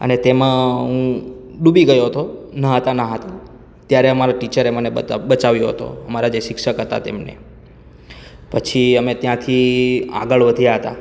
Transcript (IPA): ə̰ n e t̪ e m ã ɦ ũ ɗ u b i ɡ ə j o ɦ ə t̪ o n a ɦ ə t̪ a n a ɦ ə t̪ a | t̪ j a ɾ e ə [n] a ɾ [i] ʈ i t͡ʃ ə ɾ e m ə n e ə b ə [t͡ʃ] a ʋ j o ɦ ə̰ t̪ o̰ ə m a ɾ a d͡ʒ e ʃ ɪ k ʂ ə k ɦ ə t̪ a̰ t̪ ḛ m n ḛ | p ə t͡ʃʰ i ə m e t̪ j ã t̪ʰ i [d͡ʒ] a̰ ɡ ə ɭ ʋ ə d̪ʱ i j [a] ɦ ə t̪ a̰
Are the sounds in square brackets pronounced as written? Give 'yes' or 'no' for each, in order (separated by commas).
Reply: no, no, yes, no, yes